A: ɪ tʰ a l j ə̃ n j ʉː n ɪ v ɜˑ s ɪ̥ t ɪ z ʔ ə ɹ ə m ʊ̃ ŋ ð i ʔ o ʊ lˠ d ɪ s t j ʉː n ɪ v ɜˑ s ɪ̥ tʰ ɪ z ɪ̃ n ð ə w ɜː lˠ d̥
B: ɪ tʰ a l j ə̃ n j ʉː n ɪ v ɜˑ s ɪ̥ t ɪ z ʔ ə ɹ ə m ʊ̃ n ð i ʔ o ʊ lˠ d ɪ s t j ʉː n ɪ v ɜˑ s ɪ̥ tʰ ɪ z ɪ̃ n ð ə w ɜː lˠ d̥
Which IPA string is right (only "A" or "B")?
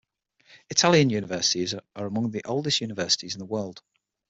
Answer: A